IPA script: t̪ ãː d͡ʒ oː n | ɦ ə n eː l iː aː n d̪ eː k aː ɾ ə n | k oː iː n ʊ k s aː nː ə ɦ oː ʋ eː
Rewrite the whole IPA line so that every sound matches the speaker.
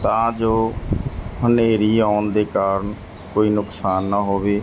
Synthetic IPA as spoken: t̪ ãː d͡ʒ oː | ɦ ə n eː ɾ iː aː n d̪ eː k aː ɾ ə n | k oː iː n ʊ k s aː nː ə ɦ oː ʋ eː